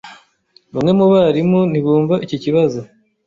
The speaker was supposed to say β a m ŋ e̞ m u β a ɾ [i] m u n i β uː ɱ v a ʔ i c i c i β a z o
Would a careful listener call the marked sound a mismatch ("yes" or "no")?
no